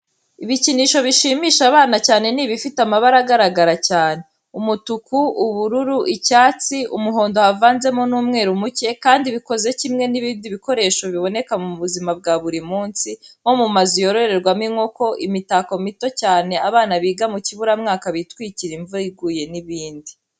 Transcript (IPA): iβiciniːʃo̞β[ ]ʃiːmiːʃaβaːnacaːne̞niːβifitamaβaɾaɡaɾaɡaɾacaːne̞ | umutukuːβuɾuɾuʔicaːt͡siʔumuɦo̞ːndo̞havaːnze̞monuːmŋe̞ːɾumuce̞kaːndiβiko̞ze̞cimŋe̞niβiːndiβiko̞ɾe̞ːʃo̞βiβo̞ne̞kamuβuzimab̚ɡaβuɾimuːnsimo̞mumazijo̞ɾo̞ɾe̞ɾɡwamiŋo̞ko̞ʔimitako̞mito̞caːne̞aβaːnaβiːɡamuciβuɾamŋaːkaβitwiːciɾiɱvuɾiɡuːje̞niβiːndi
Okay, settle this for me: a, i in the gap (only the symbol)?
i